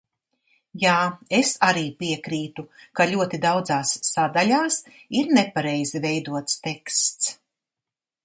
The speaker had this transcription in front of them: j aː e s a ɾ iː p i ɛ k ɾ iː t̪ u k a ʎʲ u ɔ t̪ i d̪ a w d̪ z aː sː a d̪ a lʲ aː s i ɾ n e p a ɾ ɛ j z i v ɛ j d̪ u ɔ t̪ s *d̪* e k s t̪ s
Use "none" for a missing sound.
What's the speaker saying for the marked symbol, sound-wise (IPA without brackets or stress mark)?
t̪